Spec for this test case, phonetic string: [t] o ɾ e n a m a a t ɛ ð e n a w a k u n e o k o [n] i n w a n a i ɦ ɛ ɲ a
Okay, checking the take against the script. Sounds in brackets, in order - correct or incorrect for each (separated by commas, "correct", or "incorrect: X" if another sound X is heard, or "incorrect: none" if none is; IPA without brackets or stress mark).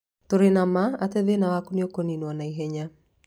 correct, correct